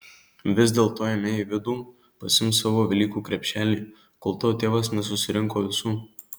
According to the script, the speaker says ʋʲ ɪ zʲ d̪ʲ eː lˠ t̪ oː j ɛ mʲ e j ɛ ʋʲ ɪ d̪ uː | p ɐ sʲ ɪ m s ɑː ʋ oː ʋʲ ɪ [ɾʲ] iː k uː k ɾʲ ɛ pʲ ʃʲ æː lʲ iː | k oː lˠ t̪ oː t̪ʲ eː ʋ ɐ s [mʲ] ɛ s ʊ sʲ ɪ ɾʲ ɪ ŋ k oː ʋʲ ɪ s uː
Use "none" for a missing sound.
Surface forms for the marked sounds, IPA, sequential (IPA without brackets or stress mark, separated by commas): lʲ, nʲ